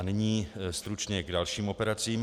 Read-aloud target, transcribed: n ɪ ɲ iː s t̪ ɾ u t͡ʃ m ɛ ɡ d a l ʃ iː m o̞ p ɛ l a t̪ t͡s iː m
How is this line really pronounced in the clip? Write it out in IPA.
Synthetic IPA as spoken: n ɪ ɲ iː s t̪ ɾ u t͡ʃ ɲ ɛ ɡ d a l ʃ iː m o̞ p ɛ ɾ a t͡s iː m